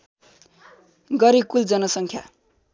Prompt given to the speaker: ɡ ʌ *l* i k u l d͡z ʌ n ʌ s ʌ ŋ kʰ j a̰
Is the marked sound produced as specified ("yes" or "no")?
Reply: no